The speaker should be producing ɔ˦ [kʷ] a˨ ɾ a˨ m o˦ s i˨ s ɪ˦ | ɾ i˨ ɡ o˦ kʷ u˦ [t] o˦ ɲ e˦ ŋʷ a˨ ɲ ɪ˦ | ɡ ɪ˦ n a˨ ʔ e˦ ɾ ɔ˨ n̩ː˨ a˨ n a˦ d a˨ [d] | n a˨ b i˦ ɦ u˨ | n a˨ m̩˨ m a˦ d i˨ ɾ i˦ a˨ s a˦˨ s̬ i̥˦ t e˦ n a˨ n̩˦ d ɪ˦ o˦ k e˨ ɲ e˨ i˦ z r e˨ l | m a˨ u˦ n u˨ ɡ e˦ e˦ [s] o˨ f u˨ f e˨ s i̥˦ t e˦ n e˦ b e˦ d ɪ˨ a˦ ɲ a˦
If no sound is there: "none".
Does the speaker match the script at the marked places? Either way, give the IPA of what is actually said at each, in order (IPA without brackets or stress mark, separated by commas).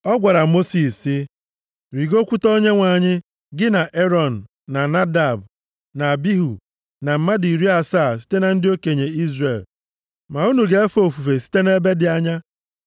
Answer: ɡʷ, t, b, f